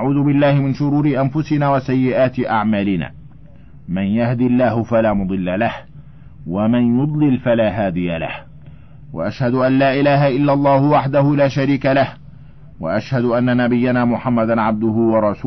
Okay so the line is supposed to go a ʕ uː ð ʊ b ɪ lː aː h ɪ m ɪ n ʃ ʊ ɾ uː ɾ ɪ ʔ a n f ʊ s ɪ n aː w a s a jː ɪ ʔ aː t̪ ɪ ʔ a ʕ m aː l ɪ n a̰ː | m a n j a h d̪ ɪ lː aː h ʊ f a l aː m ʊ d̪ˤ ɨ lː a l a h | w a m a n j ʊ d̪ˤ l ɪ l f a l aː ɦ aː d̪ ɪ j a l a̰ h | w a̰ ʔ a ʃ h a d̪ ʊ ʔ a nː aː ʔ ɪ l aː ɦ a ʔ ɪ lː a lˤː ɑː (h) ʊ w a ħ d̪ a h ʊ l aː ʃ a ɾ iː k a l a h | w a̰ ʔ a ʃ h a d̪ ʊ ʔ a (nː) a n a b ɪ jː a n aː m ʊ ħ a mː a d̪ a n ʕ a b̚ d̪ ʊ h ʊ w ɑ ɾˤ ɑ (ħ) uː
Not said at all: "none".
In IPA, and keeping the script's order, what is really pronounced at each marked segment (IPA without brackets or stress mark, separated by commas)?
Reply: h, nː, s